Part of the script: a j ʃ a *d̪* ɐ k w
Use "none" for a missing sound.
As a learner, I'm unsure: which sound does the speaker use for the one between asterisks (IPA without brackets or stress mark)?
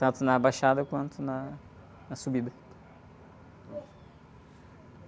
d̪